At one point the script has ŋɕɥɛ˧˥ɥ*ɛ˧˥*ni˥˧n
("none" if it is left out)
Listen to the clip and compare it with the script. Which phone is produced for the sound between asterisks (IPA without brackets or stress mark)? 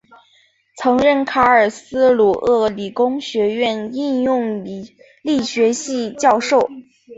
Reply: ɛ˥˧